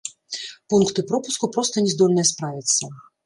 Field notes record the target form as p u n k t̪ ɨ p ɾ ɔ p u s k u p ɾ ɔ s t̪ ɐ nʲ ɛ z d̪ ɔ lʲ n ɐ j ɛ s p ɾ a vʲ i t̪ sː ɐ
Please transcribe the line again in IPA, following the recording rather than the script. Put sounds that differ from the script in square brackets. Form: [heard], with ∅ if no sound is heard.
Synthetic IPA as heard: p u n k t̪ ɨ p ɾ ɔ p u s k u p ɾ ɔ s t̪ ɐ nʲ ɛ z d̪ ɔ lʲ n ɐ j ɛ s p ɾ a vʲ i t̪ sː ɐ